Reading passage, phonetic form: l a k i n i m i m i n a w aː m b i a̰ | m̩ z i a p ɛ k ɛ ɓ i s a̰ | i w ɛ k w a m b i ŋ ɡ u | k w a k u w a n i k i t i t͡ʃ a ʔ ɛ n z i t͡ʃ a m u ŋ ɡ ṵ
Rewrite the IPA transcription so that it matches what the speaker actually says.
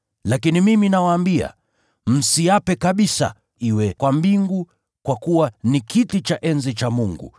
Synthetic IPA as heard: l a k i n i m i m i n a w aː m b i a̰ | m̩ s i a p ɛ k a ɓ i s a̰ | i w ɛ k w a m b i ŋ ɡ u | k w a k u w a n i k i t i t͡ʃ a ʔ ɛ n z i t͡ʃ a m u ŋ ɡ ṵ